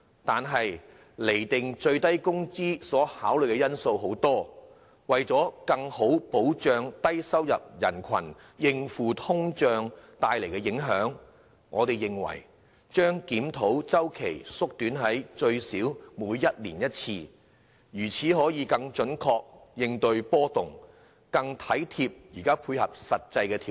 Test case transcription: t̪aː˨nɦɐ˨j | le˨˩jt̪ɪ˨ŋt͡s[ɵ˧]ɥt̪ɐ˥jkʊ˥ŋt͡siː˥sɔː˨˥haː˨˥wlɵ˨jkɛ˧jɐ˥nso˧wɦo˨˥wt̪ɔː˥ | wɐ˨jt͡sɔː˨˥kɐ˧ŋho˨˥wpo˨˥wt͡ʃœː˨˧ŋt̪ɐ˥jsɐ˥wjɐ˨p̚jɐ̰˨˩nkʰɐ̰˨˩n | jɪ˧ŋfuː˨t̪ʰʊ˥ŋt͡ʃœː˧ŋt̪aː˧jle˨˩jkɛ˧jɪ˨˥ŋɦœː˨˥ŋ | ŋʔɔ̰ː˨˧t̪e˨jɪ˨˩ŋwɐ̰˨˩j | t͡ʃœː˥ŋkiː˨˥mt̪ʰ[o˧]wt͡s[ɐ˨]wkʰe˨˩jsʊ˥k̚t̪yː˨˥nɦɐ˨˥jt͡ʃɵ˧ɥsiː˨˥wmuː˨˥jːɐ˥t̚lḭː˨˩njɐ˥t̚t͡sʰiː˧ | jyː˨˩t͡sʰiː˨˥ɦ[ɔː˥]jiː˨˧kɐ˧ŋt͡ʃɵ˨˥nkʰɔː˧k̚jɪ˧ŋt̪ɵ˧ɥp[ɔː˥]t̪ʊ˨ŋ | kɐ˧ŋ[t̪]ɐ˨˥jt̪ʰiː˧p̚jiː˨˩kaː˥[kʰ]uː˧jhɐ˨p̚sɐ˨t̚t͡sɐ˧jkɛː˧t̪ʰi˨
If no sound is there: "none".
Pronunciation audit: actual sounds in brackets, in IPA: ɵ˧, o˨˥, ɐ˥, ɔː˨˥, ɔː˥, t̪ʰ, pʰ

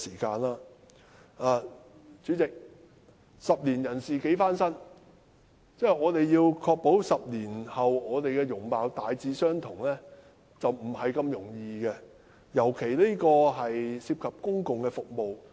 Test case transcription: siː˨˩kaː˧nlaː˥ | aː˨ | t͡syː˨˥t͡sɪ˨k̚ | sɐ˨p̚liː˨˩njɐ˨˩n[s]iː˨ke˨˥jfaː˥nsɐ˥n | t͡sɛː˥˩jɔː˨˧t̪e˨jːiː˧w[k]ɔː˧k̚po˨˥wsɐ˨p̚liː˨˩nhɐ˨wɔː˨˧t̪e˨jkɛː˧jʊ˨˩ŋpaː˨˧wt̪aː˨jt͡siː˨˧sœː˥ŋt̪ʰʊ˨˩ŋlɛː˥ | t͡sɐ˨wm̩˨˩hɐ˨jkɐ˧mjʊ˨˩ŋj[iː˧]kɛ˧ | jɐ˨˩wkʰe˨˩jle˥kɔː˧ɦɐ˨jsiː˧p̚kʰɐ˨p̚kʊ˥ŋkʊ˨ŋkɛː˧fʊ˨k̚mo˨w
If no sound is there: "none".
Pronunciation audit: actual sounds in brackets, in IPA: s, kʰ, iː˧

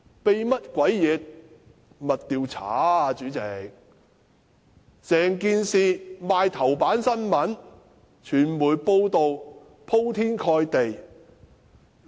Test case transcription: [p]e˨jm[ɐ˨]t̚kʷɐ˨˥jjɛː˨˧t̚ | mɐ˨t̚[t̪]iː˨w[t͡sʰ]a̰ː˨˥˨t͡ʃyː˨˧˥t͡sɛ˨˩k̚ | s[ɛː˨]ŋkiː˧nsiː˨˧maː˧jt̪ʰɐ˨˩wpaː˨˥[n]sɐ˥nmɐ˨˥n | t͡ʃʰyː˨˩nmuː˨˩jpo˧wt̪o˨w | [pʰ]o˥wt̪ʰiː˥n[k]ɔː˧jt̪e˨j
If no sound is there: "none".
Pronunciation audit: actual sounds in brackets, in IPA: p, ɐ˥, t̪, t͡sʰ, ɛː˨, n, pʰ, kʰ

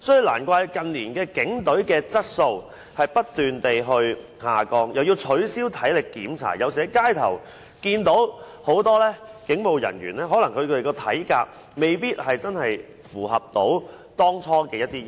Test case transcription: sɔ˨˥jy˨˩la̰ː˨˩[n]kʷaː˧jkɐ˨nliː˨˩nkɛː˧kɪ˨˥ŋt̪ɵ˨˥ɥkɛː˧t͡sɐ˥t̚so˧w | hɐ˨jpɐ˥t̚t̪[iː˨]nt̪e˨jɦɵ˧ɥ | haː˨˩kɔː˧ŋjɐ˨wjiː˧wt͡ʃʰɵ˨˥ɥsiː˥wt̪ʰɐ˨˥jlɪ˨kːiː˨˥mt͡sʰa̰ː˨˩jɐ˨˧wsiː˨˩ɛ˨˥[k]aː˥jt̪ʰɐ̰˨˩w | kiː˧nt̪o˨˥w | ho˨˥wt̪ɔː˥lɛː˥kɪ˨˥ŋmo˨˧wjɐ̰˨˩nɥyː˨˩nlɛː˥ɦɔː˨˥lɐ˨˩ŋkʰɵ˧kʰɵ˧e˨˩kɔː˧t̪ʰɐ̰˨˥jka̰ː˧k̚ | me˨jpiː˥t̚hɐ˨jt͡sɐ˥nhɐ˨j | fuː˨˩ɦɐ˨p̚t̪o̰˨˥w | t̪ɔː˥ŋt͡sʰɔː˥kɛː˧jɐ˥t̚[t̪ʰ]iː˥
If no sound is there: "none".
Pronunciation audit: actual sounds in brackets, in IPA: n, yː˨, k, t̪

